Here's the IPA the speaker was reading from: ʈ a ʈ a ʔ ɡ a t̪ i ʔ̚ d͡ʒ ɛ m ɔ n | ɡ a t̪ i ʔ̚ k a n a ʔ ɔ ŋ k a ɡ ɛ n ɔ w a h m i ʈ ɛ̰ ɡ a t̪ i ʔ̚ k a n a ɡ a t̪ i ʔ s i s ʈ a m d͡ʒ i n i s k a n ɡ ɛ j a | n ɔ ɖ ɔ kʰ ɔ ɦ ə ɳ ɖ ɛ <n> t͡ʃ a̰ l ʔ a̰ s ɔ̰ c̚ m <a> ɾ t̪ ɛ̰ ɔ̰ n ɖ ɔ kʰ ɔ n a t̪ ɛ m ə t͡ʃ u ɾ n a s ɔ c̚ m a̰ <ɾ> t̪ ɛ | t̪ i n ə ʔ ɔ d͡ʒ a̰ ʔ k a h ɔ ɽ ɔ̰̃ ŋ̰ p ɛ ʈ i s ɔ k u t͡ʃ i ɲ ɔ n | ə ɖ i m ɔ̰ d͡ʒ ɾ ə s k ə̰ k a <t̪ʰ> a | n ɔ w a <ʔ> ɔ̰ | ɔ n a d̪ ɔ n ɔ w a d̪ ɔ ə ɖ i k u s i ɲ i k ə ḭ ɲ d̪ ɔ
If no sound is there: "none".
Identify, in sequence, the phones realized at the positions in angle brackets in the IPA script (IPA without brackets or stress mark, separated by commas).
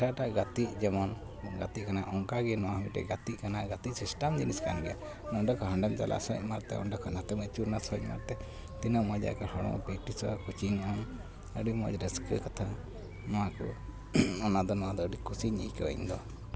m, a, ɾ, t̪ʰ, k